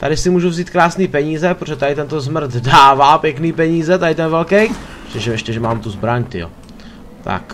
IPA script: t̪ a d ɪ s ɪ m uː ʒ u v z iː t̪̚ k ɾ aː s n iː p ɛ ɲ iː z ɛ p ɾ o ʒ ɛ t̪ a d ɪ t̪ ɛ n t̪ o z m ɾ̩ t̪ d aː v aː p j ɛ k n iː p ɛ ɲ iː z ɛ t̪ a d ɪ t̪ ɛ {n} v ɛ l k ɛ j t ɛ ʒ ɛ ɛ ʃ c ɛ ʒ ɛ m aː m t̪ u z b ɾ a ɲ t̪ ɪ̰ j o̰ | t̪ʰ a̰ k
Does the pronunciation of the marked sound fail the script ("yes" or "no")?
no